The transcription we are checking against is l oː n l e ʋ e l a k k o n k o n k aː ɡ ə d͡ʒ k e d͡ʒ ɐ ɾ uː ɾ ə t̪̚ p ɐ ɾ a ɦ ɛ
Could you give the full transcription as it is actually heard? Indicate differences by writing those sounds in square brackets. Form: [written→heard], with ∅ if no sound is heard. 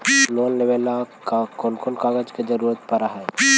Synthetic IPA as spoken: l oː n l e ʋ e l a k k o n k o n k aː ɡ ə d͡ʒ k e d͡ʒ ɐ ɾ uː ɾ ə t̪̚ p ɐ ɾ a ɦ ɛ